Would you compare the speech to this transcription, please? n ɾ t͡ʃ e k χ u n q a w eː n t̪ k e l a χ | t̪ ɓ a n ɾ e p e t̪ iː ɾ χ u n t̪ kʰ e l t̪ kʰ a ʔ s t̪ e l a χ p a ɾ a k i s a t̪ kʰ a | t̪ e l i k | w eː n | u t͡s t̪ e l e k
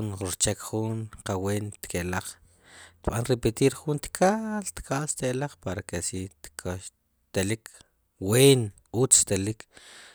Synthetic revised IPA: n ɾ t͡ʃ e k χ u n q a w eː n t̪ k e l a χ | t̪ ɓ a n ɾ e p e t̪ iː ɾ χ u n t̪ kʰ a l t̪ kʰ a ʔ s t̪ e l a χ p a ɾ a k e s i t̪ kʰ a | t̪ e l i k | w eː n | u t͡s t̪ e l i k